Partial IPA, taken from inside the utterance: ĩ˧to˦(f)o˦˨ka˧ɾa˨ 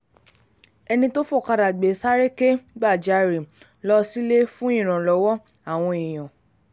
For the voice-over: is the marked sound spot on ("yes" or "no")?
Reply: yes